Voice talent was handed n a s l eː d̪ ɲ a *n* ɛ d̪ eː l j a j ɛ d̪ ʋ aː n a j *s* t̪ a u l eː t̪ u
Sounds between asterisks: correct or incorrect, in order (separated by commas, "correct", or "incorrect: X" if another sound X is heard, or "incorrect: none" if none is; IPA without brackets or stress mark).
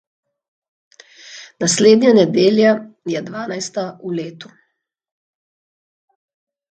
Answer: correct, correct